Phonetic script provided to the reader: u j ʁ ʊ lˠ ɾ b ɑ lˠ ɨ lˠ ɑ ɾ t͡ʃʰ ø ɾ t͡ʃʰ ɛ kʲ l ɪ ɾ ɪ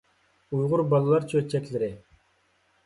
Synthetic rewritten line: u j ʁ ʊ ɾ b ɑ lˠ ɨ lˠ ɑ ɾ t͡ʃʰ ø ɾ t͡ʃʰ ɛ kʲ l ɪ ɾ ɪ